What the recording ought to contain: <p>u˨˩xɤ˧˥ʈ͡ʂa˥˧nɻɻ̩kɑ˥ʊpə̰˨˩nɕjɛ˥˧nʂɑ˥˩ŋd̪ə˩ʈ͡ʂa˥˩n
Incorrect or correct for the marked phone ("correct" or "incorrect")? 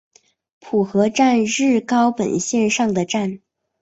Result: incorrect